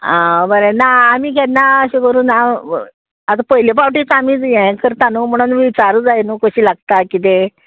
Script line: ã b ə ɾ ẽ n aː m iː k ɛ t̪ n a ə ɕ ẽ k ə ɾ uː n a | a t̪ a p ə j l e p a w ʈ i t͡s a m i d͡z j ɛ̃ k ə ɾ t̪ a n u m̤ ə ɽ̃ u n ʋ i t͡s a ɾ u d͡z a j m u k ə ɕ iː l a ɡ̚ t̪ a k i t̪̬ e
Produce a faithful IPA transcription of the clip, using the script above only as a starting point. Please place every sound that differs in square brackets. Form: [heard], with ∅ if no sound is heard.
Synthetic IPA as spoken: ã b ə ɾ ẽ n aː m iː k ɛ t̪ n a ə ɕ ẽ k ə ɾ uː n a | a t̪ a p ə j l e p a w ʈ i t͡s a m i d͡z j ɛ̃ k ə ɾ t̪ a n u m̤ ə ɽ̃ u n ʋ i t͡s a ɾ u d͡z a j [n] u k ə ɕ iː l a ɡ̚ t̪ a k i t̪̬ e